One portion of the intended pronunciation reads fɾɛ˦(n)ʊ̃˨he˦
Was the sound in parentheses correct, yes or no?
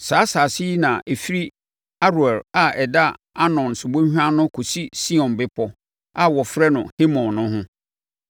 yes